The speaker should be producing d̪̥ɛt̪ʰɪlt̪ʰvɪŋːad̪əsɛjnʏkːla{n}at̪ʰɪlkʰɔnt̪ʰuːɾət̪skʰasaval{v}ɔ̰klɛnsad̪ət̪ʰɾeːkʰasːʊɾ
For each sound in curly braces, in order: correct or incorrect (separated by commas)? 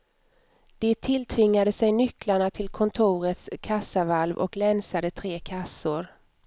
incorrect, correct